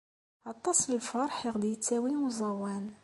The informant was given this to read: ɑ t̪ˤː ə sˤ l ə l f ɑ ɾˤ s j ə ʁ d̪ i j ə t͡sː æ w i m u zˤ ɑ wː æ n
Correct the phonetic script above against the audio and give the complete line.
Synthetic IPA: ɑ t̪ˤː ɑ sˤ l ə l f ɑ ɾˤ ħ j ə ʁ d̪ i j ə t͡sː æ w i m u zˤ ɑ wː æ n